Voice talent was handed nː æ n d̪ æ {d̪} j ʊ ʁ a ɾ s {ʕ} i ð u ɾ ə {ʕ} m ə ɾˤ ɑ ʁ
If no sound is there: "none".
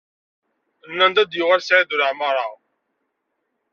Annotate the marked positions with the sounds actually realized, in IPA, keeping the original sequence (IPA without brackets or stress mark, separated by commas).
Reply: d̪, ʕ, ʕ